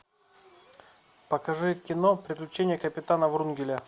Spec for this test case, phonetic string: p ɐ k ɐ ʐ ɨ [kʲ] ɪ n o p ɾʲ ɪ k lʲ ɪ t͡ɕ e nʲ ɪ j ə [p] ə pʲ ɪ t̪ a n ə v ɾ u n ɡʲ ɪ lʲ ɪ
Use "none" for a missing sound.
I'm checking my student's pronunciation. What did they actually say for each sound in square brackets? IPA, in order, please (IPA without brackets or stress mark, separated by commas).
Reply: kʲ, k